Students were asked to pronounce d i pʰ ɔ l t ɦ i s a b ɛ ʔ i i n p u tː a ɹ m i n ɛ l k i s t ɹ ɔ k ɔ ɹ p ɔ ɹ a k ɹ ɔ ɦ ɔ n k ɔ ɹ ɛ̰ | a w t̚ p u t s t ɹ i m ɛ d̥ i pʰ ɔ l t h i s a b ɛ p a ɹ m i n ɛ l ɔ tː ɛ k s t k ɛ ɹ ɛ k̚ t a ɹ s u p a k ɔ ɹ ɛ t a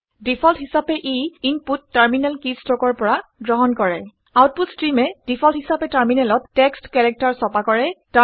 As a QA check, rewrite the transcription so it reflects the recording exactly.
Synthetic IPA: d i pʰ ɔ l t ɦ i s a p ɛ ʔ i i n p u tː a ɹ m i n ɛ l k i s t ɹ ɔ k ɔ ɹ p ɔ ɹ a ɡ ɹ ɔ ɦ ɔ n k ɔ ɹ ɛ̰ | a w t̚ p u t s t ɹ i m ɛ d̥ i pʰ ɔ l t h i s a p ɛ t a ɹ m i n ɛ l ɔ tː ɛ k s t k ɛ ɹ ɛ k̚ t a ɹ s ɔ p a k ɔ ɹ ɛ t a